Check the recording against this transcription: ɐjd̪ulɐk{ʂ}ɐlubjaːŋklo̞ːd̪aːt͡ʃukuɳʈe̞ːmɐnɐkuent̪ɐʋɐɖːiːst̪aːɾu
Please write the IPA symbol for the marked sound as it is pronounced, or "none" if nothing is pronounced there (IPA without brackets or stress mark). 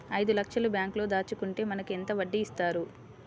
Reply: ʂ